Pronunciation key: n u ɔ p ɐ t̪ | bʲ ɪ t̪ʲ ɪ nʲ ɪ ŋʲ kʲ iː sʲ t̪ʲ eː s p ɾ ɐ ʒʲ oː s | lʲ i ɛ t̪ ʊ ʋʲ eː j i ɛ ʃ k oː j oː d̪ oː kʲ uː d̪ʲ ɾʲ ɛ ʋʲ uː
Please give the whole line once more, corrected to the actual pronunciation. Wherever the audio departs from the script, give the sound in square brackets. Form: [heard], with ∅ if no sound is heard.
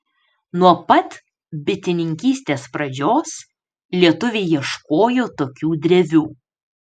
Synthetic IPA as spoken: n u ɔ p ɐ t̪ | bʲ ɪ t̪ʲ ɪ nʲ ɪ ŋʲ kʲ iː sʲ t̪ʲ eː s p ɾ ɐ [d͡ʒʲ] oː s | lʲ i ɛ t̪ ʊ ʋʲ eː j i ɛ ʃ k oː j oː [t̪] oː kʲ uː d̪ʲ ɾʲ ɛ ʋʲ uː